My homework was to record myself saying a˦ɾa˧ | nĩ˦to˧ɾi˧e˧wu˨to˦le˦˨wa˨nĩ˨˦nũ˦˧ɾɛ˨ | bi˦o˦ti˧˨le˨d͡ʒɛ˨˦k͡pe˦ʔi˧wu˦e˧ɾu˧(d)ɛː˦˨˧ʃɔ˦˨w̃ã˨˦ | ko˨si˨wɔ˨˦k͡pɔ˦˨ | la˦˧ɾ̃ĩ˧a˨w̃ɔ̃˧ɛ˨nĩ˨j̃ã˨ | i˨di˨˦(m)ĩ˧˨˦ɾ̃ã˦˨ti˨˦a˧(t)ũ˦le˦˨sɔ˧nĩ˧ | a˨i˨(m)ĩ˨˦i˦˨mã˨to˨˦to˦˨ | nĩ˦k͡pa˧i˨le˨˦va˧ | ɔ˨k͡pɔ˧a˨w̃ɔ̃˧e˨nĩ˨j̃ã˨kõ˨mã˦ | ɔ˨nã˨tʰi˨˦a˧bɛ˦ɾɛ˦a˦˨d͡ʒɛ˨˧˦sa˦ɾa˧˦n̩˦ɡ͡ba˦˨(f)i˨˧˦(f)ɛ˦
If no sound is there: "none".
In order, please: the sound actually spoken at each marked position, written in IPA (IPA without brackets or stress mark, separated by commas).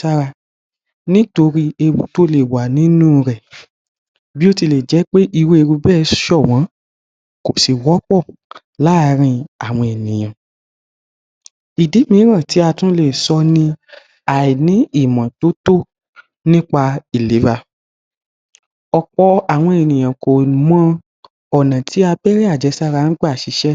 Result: b, m, t, n, ʃ, ʃ